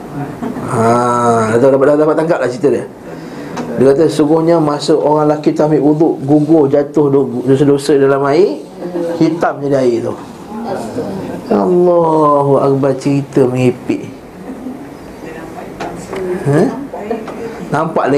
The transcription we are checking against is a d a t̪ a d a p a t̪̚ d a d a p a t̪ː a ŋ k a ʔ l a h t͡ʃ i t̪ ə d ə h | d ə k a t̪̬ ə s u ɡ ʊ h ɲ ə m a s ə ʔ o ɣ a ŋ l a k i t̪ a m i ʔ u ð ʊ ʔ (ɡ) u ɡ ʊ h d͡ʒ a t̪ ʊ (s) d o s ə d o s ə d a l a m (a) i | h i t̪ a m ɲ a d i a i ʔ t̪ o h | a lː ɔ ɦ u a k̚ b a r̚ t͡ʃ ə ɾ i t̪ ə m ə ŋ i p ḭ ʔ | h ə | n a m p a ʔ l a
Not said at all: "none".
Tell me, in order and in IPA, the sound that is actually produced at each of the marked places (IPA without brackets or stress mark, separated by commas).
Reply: ɡ, h, a